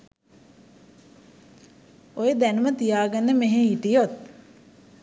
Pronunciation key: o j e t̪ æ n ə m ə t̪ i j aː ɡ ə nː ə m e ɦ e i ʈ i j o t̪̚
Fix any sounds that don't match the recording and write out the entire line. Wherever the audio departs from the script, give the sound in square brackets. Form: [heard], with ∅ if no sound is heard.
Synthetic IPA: o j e [d̪] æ n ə m ə t̪ i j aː ɡ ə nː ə m e ɦ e i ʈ i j o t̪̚